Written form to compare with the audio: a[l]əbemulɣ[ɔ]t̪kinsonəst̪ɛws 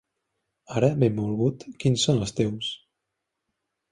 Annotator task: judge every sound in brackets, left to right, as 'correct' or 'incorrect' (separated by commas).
incorrect, incorrect